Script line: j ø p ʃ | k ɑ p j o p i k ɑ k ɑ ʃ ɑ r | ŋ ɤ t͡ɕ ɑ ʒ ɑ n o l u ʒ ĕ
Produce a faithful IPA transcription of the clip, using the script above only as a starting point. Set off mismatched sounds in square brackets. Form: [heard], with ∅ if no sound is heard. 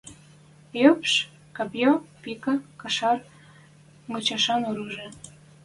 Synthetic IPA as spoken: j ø p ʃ | k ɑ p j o p i k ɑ k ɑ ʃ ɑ r | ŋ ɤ t͡ɕ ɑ [ʃ] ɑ n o [ɾ] u ʒ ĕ